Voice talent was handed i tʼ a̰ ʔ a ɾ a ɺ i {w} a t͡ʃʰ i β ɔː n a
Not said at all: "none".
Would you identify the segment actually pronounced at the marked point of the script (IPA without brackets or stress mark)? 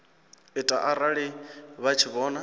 β